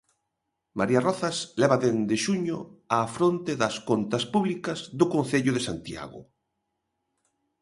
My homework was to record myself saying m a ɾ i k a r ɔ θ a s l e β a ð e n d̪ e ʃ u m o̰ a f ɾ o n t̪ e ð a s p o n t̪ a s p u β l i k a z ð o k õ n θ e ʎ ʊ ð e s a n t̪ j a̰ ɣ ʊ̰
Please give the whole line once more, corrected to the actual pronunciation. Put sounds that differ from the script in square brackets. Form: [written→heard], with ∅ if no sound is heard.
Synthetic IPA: m a ɾ i [k→∅] a r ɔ θ a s l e β a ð e n d̪ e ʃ u [m→ɲ] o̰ a f ɾ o n t̪ e ð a s [p→k] o n t̪ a s p u β l i k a z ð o k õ n θ e ʎ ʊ ð e s a n t̪ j a̰ ɣ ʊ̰